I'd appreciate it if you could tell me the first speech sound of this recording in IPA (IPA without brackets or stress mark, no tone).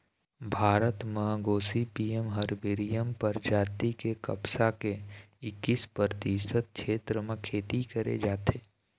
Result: bʱ